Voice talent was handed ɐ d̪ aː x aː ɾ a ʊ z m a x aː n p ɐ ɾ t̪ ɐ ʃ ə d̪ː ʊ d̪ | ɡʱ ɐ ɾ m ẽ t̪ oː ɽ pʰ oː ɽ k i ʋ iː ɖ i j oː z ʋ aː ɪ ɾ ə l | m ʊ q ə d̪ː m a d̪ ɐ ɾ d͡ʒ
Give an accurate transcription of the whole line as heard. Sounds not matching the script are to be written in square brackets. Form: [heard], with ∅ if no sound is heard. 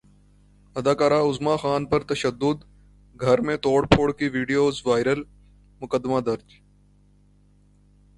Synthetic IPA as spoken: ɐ d̪ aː [k] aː ɾ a ʊ z m a x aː n p ɐ ɾ t̪ ɐ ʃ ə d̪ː ʊ d̪ | ɡʱ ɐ ɾ m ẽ t̪ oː ɽ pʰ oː ɽ k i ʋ iː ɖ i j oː z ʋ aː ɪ ɾ ə l | m ʊ [k] ə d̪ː m a d̪ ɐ ɾ d͡ʒ